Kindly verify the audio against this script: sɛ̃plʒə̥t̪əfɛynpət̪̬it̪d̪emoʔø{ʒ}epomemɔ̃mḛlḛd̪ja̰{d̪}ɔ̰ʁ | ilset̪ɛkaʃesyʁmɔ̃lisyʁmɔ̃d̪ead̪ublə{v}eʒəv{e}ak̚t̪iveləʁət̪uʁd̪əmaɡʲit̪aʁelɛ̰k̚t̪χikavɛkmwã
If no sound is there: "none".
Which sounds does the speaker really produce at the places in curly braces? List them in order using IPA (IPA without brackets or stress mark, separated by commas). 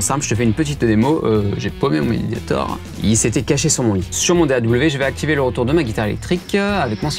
ʒ, t̪, v, ɛ